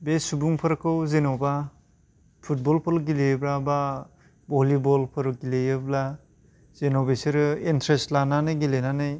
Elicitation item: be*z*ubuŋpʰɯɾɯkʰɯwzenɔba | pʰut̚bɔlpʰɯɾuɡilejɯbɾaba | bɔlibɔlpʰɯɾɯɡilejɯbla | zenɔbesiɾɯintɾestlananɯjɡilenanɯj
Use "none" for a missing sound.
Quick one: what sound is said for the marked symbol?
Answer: s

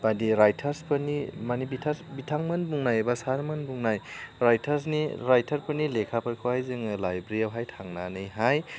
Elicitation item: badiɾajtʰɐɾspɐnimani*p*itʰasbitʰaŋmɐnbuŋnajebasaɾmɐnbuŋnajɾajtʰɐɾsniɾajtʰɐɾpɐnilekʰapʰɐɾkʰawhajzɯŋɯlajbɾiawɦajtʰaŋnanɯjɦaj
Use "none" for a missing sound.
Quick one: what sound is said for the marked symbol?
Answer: b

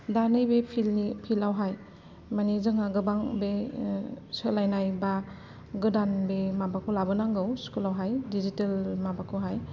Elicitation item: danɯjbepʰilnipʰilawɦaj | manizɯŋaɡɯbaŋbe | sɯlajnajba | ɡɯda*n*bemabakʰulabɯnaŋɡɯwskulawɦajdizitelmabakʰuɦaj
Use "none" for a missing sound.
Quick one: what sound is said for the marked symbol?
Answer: n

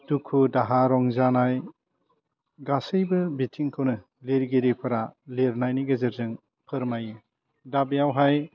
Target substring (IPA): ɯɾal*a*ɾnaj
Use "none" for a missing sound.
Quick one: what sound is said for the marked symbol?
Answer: e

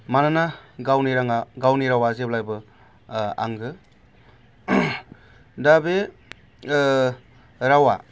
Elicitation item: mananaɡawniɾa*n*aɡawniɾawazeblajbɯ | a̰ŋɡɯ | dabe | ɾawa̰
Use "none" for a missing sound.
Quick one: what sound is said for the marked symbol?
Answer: ŋ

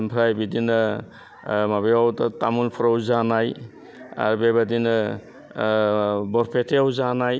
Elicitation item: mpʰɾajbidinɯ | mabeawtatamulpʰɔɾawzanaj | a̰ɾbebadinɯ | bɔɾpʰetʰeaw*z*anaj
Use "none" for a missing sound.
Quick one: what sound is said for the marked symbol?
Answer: z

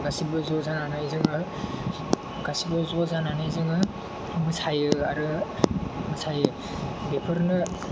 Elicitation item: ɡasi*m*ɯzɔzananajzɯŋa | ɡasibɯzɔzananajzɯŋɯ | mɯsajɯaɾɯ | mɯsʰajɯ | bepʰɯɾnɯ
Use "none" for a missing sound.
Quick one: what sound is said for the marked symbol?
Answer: b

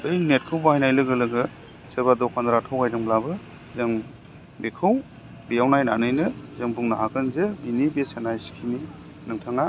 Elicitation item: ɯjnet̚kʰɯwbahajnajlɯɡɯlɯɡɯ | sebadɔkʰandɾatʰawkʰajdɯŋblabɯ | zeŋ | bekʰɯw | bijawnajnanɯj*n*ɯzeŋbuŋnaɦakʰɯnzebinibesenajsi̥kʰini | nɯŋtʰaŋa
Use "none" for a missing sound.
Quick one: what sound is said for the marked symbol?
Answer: n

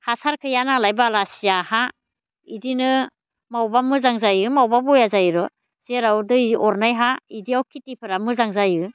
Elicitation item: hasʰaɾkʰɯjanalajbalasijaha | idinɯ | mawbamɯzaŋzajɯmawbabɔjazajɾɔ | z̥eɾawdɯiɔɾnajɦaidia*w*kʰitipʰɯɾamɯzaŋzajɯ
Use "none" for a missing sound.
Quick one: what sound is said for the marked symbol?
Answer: w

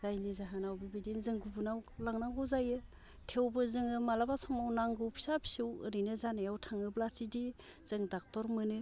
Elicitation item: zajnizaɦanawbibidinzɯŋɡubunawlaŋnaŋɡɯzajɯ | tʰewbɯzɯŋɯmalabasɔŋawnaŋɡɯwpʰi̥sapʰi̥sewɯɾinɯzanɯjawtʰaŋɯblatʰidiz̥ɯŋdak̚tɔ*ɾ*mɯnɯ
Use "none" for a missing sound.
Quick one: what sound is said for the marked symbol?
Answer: ɾ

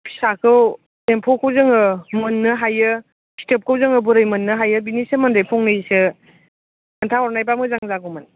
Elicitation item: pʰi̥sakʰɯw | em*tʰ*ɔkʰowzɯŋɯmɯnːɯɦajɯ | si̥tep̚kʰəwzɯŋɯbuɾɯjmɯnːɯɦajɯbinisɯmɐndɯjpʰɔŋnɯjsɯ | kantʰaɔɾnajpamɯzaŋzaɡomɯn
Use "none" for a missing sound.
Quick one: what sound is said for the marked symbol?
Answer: pʰ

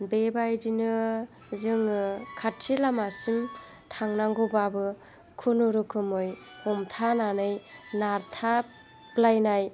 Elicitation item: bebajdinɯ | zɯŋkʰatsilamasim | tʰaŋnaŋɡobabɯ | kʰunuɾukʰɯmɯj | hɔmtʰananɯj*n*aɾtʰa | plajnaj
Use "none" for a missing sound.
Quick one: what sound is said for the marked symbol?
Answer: n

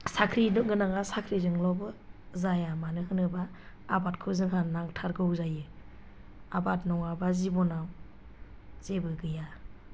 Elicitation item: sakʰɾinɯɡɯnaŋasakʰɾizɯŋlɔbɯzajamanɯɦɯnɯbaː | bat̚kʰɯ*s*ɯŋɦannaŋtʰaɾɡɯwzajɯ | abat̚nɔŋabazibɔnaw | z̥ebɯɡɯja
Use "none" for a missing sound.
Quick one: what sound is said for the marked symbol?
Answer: z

